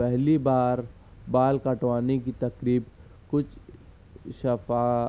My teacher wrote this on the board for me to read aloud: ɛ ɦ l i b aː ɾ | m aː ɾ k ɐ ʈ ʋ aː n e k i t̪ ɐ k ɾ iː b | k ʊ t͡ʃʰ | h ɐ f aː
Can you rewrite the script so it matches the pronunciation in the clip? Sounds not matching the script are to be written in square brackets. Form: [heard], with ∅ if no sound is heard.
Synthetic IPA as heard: ɛ ɦ l i b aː ɾ | [b] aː [l] k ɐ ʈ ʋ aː n e k i t̪ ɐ k ɾ iː b | k ʊ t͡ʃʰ | [ʃ] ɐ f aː